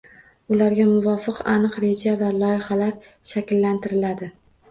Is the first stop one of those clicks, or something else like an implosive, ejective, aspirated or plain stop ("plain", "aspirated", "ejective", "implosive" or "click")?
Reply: plain